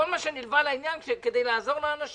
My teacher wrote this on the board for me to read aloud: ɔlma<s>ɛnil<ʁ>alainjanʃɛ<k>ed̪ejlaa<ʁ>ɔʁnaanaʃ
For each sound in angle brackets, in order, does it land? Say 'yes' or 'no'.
no, no, yes, no

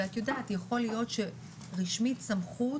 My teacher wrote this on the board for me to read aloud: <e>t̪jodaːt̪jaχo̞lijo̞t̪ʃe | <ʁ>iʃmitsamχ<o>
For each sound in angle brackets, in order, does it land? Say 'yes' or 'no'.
no, yes, no

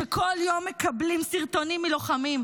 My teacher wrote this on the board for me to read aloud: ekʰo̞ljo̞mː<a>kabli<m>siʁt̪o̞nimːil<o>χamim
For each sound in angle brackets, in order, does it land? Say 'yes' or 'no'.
no, yes, yes

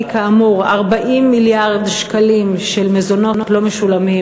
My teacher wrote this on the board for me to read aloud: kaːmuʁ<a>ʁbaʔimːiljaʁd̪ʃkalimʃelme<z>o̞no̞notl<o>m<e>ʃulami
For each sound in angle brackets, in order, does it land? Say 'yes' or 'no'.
yes, yes, yes, yes

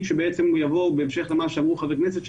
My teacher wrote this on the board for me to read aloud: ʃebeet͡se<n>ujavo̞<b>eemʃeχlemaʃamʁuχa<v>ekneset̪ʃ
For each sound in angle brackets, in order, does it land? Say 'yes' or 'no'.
no, yes, yes

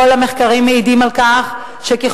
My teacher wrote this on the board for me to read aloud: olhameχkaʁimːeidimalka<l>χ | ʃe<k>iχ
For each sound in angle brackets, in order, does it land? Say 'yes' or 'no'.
no, yes

